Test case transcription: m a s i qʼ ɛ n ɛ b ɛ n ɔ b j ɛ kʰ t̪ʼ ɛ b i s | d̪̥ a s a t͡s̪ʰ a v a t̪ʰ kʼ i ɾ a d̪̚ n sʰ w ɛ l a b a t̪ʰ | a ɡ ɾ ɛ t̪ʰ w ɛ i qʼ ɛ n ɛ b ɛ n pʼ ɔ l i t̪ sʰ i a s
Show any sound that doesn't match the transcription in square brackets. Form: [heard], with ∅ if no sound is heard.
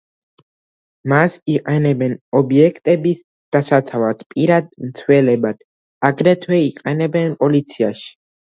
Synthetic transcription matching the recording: m a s i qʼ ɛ n ɛ b ɛ n ɔ b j ɛ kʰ t̪ʼ ɛ b i s | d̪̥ a s a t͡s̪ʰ a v a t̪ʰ [pʼ] i ɾ a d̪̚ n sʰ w ɛ l [ɛ] b a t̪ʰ | a ɡ ɾ ɛ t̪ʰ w ɛ i qʼ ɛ n ɛ b ɛ n pʼ ɔ l i t̪ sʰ i a [ʃ]